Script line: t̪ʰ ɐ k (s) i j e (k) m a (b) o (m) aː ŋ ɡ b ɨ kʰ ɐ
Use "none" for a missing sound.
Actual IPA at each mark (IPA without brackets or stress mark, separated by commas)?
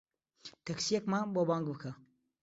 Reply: s, k, b, b